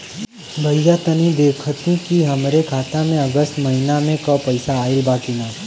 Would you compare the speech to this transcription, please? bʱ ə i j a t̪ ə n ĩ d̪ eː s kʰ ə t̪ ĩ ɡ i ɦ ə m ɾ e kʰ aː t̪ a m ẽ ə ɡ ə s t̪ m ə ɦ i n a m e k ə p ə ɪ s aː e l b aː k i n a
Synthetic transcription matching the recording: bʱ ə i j a t̪ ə n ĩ d̪ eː kʰ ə t̪ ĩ k i ɦ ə m ɾ e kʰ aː t̪ a m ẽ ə ɡ ə s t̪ m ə ɦ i n a m ẽ k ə p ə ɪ s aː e l b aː k i n a

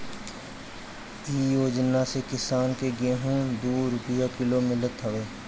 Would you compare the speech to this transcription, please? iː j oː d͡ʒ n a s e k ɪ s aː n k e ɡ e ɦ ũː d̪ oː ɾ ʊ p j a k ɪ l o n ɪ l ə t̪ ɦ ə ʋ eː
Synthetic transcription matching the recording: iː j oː d͡ʒ n a s e k ɪ s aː n k e ɡ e ɦ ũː d̪ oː ɾ ʊ p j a k ɪ l o m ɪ l ə t̪ ɦ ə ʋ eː

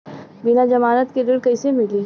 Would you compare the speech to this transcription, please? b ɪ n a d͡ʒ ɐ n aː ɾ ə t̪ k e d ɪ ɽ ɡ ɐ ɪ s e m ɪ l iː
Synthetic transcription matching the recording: b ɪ n a d͡ʒ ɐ m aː ɾ ə t̪ k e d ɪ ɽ k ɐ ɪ s e m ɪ l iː

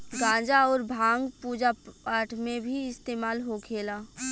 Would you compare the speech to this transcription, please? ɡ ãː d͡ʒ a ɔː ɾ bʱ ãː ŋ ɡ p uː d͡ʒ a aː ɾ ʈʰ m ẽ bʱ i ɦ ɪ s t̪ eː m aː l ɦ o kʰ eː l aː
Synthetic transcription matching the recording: ɡ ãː d͡ʒ a ɔː ɾ bʱ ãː ŋ ɡ p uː d͡ʒ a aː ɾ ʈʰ m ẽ bʱ i ɪ s t̪ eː m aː l ɦ o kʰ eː l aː

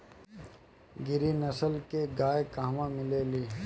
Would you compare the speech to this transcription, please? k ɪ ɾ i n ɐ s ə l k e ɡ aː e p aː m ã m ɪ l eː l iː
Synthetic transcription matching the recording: ɡ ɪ ɾ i n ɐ s ə l k e ɡ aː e k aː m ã m ɪ l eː l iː

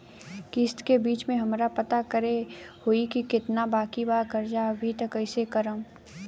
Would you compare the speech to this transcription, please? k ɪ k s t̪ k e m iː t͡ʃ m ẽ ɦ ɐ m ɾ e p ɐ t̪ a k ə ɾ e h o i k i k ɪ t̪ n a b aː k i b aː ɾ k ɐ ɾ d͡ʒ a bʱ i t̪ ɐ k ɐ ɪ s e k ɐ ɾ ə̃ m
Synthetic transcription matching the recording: k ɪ s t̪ k e b iː t͡ʃ m ẽ ɦ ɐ m ɾ a p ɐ t̪ a k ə ɾ e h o i k i k ɪ t̪ n a b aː k i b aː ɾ k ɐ ɾ d͡ʒ a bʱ i t̪ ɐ k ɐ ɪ s e k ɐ ɾ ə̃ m

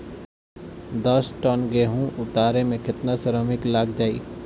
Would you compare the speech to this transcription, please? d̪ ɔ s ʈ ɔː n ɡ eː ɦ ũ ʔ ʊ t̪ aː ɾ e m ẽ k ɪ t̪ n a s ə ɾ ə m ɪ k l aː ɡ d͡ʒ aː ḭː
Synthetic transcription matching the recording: d̪ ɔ s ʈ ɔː n ɡ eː ɦ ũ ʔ ʊ t̪ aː ɾ e m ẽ k ɪ t̪ n a s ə ɾ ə m ɪ k l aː ɡ d͡ʒ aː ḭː

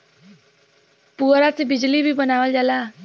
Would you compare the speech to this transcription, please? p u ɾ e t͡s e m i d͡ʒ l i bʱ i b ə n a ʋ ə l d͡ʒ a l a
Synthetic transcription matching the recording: p u ɾ a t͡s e b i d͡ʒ l i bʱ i b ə n a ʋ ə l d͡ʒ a l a

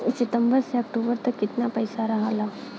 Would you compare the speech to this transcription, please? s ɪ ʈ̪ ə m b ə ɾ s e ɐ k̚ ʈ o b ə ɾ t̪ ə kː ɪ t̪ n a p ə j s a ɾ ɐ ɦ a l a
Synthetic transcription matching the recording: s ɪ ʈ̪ ə m b ə ɾ s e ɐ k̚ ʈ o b ə ɾ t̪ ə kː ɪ t̪ n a p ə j s a ɾ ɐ ɦ a l a

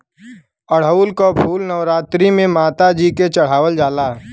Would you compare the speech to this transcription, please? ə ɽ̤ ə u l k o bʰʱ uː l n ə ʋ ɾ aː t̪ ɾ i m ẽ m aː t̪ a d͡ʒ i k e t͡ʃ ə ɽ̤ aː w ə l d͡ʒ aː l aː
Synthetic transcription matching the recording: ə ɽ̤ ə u l k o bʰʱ uː l n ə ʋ ɾ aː t̪ ɾ i m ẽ m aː t̪ a d͡ʒ i k e t͡ʃ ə ɽ̤ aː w ə l d͡ʒ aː l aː

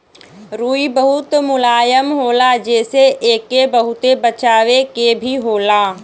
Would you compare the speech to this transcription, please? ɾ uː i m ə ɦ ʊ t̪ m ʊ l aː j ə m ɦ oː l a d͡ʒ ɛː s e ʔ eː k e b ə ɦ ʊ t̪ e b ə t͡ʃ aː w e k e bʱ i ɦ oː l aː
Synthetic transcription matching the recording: ɾ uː i b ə ɦ ʊ t̪ m ʊ l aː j ə m ɦ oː l a d͡ʒ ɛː s e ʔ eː k e b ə ɦ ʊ t̪ e b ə t͡ʃ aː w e k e bʱ i ɦ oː l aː

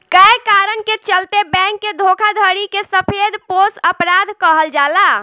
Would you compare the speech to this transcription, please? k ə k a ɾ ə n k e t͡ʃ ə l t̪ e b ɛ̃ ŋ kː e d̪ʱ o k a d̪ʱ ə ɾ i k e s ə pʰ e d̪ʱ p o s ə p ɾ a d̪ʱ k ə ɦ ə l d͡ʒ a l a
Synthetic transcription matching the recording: k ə k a ɾ ə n k e t͡ʃ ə l t̪ e b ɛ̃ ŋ kː e d̪ʱ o kʰ a d̪ʱ ə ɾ i k e s ə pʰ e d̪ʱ p o s ə p ɾ a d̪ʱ k ə ɦ ə l d͡ʒ a l a

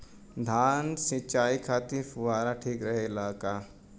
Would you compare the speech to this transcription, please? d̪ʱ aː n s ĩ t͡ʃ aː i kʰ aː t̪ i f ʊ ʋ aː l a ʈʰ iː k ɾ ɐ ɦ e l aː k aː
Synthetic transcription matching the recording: d̪ʱ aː n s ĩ t͡ʃ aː i kʰ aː t̪ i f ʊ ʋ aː ɾ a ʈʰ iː k ɾ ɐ ɦ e l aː k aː

